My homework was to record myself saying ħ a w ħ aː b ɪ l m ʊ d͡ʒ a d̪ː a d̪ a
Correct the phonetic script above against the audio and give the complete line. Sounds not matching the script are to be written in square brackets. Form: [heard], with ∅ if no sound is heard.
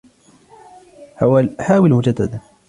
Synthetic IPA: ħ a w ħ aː [w] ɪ l m ʊ d͡ʒ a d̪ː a d̪ a

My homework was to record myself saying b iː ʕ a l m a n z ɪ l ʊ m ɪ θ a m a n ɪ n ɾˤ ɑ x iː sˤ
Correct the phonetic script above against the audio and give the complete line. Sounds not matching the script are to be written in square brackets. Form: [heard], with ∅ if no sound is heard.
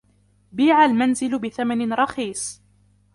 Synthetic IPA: b iː ʕ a l m a n z ɪ l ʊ [b] ɪ θ a m a n ɪ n ɾˤ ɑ x iː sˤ

